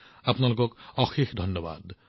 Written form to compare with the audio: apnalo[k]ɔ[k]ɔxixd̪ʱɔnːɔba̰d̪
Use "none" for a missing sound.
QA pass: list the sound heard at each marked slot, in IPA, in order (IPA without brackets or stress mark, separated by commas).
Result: k, k